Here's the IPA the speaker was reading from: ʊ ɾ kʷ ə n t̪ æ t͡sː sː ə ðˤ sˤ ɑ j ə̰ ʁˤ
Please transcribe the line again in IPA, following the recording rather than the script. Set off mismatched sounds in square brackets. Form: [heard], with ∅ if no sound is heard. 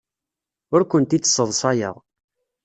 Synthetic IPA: ʊ ɾ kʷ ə n t̪ [i] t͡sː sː ə ðˤ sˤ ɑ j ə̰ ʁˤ